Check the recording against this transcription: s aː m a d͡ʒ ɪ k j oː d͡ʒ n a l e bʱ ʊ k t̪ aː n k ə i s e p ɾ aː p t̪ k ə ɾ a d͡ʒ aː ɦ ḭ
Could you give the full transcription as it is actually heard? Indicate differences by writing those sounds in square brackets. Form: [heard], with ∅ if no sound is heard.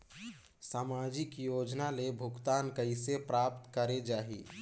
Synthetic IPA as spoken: s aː m a d͡ʒ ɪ k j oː d͡ʒ n a l e bʱ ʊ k t̪ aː n k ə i s e p ɾ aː p t̪ k ə ɾ [e] d͡ʒ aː ɦ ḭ